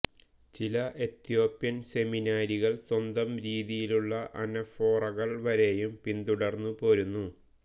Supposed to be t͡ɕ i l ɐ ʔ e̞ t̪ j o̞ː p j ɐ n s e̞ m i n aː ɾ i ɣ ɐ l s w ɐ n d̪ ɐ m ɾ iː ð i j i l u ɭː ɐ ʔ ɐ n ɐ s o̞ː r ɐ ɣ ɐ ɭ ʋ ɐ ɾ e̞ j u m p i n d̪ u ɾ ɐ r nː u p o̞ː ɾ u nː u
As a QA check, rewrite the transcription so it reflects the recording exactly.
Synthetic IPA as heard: t͡ɕ i l ɐ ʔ e̞ t̪ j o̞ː p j ɐ n s e̞ m i n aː ɾ i ɣ ɐ ɭ s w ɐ n d̪ ɐ m ɾ iː ð i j i l u ɭː ɐ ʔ ɐ n ɐ f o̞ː r ɐ ɣ ɐ ɭ ʋ ɐ ɾ e̞ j u m p i n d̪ u ɽ ɐ r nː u p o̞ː ɾ u nː u